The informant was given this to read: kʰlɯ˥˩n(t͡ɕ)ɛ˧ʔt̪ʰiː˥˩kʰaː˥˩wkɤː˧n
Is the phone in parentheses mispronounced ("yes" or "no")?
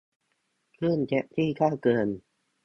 no